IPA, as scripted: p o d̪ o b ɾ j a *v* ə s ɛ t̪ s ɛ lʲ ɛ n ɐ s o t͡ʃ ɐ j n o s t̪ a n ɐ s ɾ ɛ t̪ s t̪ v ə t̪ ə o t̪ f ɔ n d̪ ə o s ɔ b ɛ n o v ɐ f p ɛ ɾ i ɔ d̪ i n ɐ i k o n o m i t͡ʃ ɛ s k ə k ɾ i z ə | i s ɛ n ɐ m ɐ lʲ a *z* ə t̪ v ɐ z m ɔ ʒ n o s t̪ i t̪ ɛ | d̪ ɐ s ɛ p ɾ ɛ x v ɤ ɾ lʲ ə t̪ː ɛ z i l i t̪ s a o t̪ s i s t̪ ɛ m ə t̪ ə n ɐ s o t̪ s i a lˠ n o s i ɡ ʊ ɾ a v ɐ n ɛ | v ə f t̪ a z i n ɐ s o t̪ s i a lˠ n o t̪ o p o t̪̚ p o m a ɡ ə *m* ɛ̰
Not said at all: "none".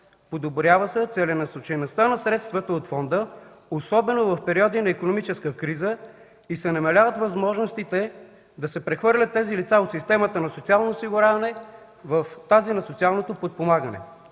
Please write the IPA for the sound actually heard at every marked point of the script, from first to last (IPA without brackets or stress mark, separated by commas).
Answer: v, v, n